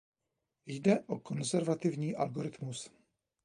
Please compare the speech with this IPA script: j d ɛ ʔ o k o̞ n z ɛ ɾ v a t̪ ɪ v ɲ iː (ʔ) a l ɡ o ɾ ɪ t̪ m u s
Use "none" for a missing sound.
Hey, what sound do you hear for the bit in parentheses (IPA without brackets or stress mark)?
ʔ